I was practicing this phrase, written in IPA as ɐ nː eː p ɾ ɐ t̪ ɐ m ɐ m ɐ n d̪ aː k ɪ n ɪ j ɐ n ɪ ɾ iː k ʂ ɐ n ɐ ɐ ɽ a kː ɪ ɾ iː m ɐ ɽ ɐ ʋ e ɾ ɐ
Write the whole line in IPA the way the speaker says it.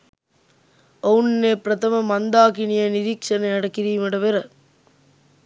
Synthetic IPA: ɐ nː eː p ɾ ɐ t̪ ɐ m ɐ m ɐ n d̪ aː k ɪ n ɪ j ɐ n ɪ ɾ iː k ʂ ɐ n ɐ ɐ ɽ ɐ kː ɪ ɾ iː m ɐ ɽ ɐ ʋ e ɾ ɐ